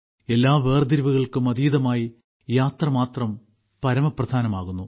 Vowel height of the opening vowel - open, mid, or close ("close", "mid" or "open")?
mid